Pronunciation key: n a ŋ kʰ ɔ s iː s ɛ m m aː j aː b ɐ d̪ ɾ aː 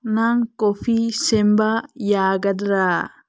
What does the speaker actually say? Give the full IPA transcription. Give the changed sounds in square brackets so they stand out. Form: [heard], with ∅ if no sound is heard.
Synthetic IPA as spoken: n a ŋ [k] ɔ [f] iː s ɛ m [b] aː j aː [ɡ] ɐ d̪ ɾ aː